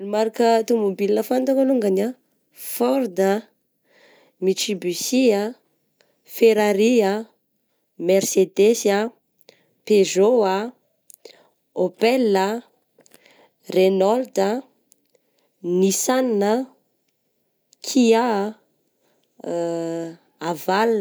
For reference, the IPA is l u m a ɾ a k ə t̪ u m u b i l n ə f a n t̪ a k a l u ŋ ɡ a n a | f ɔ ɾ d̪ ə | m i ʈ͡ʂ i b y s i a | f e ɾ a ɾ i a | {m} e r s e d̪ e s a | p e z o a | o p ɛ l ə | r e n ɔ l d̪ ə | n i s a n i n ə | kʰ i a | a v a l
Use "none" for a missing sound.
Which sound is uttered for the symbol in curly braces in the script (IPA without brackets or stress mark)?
m